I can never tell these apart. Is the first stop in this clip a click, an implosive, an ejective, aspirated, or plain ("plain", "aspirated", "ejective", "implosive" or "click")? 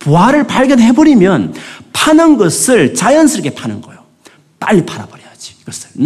plain